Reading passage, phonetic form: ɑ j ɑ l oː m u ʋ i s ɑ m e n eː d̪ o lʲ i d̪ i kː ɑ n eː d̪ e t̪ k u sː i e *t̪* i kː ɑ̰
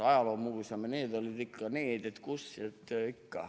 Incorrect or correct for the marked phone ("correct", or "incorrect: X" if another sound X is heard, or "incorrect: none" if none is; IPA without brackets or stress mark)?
correct